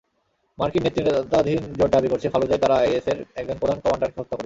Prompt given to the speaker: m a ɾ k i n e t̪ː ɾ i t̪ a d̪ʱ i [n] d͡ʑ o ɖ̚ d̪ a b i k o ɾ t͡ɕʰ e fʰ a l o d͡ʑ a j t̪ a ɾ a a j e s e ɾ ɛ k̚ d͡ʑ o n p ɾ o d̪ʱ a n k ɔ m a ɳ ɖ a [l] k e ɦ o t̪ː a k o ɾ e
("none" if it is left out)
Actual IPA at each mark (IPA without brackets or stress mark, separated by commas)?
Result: n, ɾ